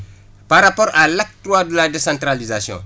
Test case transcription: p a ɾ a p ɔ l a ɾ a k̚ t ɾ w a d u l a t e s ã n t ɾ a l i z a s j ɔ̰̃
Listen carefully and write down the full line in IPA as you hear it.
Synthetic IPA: p a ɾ a p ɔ ɾ a l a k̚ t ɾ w a d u l a d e s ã n t ɾ a l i z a s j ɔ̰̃